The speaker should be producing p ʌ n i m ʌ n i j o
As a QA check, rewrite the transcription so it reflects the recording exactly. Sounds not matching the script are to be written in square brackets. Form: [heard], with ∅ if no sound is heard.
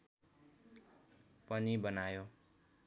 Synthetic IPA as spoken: p ʌ n i [b] ʌ n [a] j o